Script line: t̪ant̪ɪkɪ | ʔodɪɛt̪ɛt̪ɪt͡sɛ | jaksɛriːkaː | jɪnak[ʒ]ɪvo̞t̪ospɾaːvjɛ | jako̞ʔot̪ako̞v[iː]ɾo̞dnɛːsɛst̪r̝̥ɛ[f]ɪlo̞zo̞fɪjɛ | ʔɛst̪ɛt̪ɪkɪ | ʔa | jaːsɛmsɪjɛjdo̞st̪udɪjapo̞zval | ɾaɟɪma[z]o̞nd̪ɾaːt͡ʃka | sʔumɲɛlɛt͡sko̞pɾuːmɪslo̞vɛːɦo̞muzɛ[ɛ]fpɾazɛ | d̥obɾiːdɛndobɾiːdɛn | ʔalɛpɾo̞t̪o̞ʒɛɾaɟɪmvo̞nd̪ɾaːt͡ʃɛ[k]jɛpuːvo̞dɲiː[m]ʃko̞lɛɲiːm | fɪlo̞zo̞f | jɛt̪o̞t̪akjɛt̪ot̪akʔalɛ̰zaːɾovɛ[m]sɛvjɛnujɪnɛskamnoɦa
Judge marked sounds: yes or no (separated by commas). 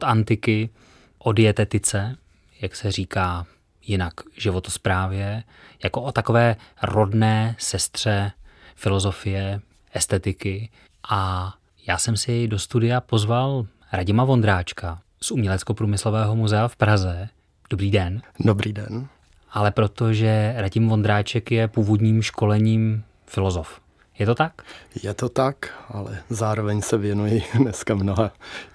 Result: yes, no, yes, no, no, yes, yes, no